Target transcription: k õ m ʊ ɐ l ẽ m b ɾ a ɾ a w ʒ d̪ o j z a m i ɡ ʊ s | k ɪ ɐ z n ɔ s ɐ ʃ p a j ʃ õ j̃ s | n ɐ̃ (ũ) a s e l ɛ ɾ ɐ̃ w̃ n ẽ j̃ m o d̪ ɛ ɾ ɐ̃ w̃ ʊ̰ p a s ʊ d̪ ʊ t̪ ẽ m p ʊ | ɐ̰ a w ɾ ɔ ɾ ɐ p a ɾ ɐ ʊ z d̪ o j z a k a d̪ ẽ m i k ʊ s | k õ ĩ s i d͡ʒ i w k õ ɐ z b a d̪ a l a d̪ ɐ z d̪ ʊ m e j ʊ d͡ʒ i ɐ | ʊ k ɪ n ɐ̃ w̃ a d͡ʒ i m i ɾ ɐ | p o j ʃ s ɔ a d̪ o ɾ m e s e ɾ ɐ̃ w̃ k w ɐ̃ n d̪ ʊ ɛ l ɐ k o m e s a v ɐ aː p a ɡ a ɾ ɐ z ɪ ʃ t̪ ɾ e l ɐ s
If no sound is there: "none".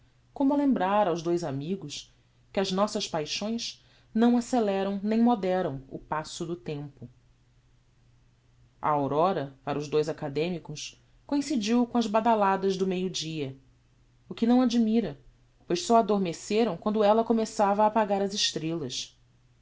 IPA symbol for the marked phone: w̃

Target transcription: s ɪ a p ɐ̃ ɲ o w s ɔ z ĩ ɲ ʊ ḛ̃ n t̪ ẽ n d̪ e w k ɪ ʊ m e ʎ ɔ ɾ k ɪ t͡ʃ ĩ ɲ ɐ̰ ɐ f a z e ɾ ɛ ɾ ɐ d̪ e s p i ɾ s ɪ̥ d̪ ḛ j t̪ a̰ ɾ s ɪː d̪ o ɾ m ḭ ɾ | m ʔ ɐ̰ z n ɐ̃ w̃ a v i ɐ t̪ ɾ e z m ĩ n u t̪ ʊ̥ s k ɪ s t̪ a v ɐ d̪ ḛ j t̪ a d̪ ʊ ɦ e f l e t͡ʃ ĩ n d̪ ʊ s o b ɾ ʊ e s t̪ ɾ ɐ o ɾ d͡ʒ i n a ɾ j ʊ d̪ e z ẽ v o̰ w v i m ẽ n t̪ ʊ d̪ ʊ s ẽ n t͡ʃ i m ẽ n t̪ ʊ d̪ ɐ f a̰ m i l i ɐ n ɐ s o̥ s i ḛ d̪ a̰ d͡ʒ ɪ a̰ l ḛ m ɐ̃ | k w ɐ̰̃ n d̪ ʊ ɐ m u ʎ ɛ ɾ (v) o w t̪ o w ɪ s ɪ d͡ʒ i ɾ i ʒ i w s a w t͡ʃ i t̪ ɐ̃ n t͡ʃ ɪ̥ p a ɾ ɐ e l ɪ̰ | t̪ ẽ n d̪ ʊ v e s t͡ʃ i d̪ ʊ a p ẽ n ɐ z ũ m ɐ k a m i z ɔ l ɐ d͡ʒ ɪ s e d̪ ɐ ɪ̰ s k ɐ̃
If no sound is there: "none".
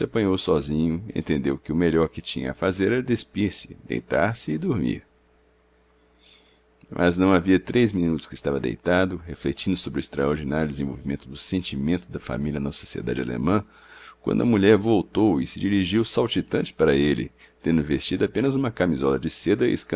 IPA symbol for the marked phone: v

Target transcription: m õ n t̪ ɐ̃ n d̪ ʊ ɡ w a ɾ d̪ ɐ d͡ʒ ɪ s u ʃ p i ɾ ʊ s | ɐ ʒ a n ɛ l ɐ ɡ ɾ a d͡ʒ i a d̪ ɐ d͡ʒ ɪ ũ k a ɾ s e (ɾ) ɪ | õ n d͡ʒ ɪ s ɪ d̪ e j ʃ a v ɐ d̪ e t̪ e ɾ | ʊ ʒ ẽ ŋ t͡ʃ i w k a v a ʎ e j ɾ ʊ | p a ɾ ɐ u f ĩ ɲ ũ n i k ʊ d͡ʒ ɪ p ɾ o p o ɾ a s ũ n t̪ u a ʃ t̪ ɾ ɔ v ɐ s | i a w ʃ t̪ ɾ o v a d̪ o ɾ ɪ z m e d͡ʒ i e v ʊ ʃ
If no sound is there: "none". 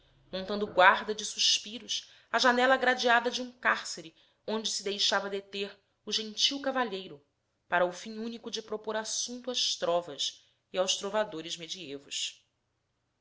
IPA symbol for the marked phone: ɾ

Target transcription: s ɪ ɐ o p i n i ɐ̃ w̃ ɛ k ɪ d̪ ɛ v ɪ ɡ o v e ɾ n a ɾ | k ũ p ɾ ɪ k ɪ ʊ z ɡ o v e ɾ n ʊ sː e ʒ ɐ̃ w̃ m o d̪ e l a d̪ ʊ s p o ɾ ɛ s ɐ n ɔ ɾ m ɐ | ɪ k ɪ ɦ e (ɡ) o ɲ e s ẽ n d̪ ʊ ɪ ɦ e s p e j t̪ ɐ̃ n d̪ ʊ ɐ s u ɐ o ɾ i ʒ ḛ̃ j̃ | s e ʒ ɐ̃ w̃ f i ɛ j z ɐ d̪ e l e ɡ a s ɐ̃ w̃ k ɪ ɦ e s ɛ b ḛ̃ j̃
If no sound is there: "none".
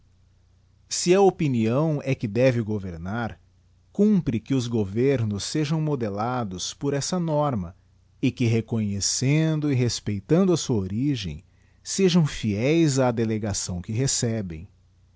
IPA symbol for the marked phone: k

